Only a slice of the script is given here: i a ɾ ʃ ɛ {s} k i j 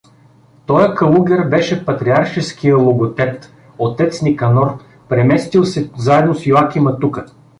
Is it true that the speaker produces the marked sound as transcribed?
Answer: yes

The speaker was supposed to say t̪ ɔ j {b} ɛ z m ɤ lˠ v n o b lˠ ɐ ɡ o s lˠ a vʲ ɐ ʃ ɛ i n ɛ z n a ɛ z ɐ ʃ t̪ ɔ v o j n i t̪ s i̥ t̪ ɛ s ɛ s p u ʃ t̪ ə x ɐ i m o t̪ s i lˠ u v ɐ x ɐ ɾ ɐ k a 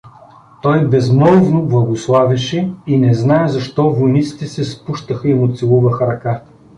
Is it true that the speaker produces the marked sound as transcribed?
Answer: yes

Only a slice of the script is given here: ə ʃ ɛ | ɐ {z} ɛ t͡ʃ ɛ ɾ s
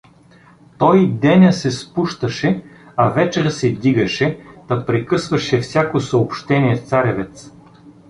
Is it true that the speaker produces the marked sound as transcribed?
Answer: no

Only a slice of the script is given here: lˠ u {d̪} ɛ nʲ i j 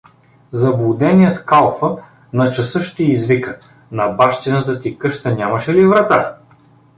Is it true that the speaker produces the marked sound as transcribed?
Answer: yes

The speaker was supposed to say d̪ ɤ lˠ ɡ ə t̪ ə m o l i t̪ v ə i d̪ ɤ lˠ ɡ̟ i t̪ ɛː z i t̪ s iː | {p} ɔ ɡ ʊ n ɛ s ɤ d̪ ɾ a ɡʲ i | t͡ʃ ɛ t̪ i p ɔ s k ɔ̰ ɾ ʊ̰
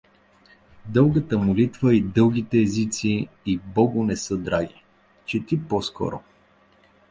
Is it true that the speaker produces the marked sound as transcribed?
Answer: no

